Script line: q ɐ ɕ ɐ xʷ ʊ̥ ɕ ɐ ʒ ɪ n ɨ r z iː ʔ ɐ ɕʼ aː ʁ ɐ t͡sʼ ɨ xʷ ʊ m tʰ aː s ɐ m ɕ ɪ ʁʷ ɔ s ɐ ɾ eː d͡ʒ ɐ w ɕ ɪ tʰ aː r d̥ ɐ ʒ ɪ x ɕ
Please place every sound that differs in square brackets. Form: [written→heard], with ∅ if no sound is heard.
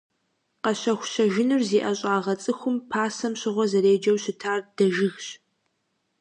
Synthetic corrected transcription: q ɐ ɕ ɐ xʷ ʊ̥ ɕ ɐ ʒ ɪ n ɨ r z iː ʔ ɐ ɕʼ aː ʁ ɐ t͡sʼ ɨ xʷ ʊ m [tʰ→pʰ] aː s ɐ m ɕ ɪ ʁʷ ɔ [s→z] ɐ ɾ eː d͡ʒ ɐ w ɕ ɪ tʰ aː r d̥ ɐ ʒ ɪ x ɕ